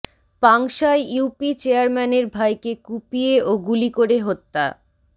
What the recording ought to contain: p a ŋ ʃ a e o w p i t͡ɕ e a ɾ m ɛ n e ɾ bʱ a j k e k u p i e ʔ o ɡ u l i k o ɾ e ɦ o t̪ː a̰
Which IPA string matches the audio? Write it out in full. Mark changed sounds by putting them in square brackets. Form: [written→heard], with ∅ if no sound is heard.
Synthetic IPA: p a ŋ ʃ a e [o→u] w p i t͡ɕ e a ɾ m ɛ n e ɾ bʱ a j k e k u p i e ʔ o ɡ u l i k o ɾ e ɦ o t̪ː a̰